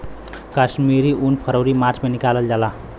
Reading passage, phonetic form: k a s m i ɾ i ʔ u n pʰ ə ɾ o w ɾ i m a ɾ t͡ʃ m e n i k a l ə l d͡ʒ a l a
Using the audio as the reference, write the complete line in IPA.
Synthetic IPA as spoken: k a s m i ɾ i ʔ u n pʰ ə ɾ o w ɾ i m a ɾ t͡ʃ m e n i k a l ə l d͡ʒ a l a